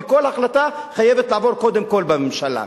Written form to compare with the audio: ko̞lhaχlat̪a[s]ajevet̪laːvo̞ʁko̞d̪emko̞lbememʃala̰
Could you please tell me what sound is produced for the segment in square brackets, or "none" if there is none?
χ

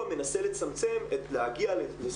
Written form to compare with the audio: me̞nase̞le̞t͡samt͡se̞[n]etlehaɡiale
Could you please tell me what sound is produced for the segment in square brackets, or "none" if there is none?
m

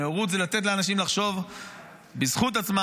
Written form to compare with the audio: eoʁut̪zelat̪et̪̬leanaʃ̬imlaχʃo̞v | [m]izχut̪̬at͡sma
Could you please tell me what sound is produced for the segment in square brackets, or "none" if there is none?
b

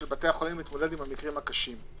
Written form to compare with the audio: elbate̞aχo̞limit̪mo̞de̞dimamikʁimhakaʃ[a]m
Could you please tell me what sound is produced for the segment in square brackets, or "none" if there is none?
i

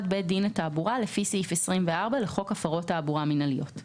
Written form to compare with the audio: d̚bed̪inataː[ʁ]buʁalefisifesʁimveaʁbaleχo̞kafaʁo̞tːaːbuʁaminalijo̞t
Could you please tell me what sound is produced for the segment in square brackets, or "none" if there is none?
none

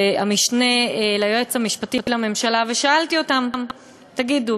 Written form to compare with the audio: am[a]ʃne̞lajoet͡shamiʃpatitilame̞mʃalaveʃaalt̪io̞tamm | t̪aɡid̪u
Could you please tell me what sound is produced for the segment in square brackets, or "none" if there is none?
i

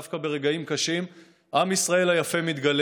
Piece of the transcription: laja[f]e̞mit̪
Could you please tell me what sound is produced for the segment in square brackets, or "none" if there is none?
f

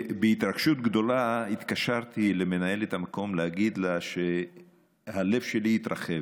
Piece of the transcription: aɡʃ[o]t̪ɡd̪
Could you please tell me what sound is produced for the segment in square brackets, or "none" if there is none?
u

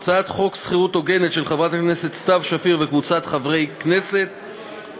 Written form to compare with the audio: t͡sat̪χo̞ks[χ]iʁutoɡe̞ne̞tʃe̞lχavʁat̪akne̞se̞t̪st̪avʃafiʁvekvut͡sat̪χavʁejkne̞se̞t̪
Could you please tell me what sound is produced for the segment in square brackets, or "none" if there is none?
χ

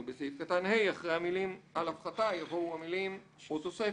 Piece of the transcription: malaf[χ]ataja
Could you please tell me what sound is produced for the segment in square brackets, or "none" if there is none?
χ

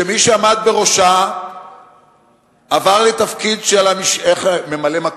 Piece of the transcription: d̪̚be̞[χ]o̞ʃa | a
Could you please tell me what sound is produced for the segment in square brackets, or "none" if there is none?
ʁ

